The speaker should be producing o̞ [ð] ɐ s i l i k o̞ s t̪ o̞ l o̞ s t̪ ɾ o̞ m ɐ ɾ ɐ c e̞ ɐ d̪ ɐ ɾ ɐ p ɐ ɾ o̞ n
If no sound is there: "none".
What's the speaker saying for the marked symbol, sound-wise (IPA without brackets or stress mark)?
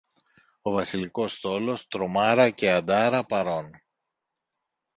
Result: v